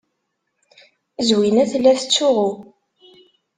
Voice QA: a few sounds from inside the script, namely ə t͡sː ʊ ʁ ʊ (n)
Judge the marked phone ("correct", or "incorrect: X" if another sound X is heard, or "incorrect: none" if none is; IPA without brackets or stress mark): incorrect: none